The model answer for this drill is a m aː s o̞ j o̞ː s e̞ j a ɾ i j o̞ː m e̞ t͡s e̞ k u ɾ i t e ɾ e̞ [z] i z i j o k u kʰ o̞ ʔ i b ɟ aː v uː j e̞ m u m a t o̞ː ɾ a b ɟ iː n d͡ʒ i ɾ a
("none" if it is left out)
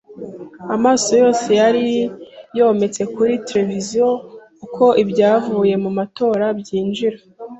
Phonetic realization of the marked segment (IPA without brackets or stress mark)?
v